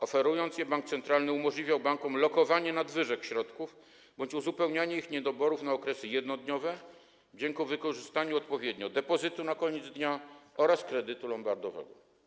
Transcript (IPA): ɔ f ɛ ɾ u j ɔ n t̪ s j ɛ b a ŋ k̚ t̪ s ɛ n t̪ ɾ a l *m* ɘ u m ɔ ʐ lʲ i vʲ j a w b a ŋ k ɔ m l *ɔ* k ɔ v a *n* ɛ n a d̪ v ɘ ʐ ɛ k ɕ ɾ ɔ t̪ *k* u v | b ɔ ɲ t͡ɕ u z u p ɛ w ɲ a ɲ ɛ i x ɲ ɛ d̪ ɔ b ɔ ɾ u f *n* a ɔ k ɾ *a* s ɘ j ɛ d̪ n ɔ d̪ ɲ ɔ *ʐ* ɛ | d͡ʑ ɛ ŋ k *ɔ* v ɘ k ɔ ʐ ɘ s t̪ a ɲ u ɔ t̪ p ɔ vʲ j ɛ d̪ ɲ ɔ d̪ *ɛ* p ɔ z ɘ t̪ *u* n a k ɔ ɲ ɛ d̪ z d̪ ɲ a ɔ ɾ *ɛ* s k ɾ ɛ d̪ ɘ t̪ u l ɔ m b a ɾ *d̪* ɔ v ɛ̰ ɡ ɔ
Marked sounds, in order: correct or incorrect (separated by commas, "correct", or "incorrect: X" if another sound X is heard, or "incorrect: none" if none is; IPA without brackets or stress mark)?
incorrect: n, correct, incorrect: ɲ, correct, correct, incorrect: ɛ, incorrect: v, incorrect: u, correct, correct, incorrect: a, correct